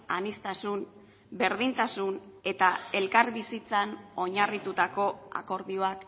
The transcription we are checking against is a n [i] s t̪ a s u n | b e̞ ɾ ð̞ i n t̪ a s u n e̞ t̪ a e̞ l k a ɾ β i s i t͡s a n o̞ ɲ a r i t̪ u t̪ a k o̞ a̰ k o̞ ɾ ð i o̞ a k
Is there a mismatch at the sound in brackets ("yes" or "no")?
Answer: no